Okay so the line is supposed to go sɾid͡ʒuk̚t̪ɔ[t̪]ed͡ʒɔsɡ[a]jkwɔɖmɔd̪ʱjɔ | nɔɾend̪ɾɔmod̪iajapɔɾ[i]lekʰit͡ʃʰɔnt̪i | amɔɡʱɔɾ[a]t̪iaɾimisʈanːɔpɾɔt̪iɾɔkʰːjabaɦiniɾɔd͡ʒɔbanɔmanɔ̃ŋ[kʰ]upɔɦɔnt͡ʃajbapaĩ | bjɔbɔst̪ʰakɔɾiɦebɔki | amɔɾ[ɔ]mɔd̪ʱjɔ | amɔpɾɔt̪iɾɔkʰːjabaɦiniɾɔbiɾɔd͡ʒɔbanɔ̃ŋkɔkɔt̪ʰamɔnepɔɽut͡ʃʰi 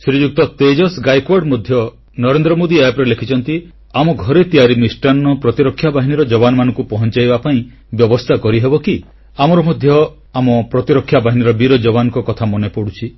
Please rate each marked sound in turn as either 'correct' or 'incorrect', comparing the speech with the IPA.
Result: correct, correct, incorrect: e, incorrect: e, incorrect: k, correct

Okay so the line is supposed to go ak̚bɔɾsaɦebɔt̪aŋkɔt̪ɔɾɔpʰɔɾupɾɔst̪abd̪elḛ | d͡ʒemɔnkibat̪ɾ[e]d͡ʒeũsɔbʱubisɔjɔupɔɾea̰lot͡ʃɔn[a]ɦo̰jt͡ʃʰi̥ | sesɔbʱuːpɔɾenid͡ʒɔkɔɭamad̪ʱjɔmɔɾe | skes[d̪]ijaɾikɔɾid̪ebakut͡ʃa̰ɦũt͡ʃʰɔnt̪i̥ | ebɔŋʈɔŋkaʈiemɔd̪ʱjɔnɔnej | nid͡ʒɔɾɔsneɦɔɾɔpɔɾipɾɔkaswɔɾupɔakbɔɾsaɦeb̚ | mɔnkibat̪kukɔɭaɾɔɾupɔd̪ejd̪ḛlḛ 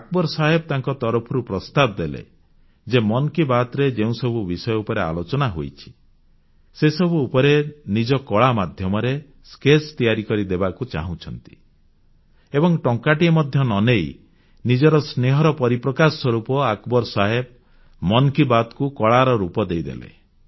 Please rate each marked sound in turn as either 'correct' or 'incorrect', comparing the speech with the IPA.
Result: correct, correct, incorrect: t̪

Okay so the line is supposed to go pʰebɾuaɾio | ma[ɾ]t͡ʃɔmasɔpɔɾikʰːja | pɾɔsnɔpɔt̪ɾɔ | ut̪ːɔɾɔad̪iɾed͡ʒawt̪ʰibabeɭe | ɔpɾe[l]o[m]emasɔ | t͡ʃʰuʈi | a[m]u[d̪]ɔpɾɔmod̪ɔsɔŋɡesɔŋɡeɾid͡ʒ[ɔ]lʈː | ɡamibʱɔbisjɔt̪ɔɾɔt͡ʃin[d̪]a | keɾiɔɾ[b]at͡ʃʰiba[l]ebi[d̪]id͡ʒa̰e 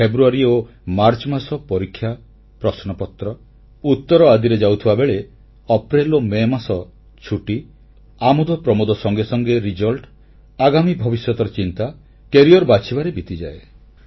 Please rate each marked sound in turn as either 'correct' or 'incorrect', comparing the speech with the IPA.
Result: correct, correct, correct, correct, correct, correct, incorrect: t̪, correct, incorrect: ɾ, incorrect: t̪

